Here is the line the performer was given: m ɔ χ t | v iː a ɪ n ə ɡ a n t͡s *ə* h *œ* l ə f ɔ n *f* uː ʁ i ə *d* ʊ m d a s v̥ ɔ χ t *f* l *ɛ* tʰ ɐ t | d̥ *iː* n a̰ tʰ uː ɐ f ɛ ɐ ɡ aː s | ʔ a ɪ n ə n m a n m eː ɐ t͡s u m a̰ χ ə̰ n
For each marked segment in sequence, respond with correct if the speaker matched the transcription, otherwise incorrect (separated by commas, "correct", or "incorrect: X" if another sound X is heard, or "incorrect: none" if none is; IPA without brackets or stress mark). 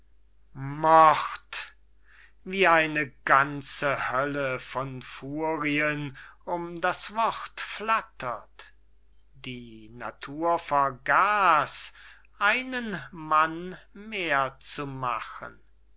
correct, correct, correct, incorrect: n, correct, incorrect: a, correct